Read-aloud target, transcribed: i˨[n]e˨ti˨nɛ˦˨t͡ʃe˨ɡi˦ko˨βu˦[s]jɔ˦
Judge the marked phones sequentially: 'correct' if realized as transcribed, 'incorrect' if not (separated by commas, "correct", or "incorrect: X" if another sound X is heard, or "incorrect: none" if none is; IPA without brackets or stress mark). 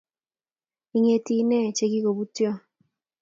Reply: incorrect: ŋ, incorrect: t